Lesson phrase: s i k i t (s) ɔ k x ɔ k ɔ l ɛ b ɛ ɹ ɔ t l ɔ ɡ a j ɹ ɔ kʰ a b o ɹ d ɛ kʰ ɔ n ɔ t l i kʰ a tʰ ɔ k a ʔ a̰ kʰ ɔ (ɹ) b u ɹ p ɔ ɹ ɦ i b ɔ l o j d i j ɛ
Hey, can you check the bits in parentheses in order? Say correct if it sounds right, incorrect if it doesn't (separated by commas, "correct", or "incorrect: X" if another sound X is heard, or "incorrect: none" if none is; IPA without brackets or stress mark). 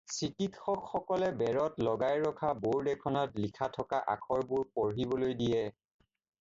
incorrect: x, correct